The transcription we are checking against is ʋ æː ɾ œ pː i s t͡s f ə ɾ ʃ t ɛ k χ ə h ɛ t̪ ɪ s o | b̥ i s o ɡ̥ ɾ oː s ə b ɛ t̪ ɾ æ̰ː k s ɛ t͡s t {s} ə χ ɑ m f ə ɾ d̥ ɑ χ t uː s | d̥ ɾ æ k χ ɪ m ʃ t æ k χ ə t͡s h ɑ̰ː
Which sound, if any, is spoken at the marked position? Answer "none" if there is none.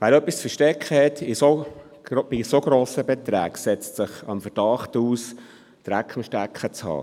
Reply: s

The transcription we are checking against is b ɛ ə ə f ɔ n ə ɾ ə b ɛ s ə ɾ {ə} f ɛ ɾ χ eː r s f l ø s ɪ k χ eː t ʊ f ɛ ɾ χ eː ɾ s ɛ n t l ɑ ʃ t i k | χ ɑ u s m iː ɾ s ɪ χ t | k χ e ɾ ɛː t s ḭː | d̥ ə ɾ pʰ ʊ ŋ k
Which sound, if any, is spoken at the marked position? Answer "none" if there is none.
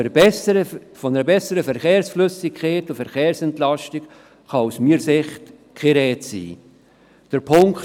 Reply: ə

